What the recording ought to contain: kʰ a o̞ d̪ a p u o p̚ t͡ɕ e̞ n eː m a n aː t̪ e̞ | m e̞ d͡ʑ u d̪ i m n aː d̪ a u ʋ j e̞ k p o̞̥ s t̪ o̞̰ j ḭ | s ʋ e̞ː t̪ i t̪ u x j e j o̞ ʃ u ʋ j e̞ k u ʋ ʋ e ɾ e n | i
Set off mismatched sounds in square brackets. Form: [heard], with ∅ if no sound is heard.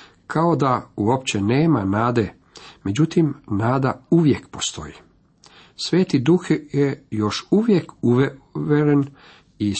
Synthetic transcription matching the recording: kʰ a o̞ d̪ a [∅] u o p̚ t͡ɕ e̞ n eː m a n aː [d̪] e̞ | m e̞ d͡ʑ u [t̪] i m n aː d̪ a u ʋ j e̞ k p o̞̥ s t̪ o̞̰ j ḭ | s ʋ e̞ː t̪ i [d̪] u x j e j o̞ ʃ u ʋ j e̞ k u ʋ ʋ e ɾ e n | i